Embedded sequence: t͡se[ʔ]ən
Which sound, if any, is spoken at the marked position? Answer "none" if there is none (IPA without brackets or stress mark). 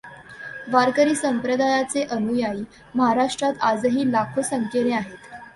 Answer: ʔ